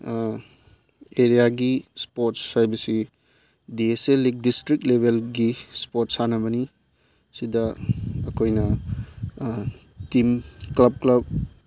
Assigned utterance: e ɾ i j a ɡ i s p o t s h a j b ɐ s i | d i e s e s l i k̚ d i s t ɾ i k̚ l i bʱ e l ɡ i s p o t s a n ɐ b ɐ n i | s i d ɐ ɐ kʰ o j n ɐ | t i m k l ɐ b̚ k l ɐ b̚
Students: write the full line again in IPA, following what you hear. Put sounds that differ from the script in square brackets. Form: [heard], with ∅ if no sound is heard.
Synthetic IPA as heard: e ɾ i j a ɡ i s p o t s h a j b ɐ s i | d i e s e [∅] l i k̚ d i s t ɾ i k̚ l [e] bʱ e l ɡ i s p o t s a n ɐ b ɐ n i | s i d ɐ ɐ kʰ o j n ɐ | t i m k l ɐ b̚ k l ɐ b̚